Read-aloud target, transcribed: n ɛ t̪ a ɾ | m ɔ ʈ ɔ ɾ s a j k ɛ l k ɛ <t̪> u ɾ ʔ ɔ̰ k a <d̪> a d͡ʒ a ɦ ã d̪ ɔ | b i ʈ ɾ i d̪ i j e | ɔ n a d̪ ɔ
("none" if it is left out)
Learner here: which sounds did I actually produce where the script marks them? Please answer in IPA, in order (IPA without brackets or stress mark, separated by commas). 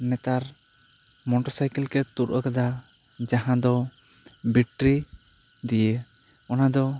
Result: t̪, d̪